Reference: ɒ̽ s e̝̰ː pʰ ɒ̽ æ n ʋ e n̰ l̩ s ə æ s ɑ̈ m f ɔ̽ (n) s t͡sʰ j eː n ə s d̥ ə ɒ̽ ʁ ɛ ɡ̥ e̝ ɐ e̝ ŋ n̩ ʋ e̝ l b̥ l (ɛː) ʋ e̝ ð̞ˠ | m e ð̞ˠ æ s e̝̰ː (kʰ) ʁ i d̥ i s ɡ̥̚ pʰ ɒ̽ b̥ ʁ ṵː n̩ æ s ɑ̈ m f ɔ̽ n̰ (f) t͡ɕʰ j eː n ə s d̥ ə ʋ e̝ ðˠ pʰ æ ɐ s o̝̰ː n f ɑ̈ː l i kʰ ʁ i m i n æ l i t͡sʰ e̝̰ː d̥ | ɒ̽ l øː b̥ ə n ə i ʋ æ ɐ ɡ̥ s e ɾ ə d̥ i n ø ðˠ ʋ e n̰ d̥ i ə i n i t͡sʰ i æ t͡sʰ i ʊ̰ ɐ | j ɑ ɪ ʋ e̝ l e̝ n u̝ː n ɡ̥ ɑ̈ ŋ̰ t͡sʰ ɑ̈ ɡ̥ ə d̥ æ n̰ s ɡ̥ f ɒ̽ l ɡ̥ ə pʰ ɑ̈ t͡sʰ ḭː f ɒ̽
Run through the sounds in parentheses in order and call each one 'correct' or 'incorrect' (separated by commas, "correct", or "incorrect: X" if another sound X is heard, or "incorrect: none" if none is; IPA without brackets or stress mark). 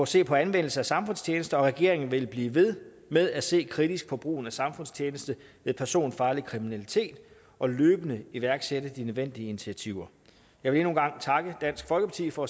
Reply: correct, incorrect: iː, correct, incorrect: s